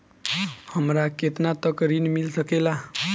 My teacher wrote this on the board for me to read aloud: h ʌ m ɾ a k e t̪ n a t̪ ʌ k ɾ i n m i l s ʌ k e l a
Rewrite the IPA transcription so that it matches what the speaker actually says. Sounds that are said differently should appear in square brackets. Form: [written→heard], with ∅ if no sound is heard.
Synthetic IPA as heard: h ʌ m ɾ a k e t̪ n a t̪ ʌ k ɾ i n m i l s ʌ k e l a